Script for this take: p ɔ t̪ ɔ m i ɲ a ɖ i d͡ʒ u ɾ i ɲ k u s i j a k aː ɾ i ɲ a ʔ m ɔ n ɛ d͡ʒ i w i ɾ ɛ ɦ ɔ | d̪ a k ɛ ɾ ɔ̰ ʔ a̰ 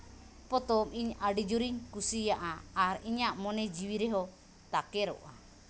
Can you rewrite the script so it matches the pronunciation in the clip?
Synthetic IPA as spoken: p ɔ t̪ ɔ m i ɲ a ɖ i d͡ʒ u ɾ i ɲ k u s i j a ʔ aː ɾ i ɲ a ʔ m ɔ n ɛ d͡ʒ i w i ɾ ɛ ɦ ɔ | t̪ a k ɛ ɾ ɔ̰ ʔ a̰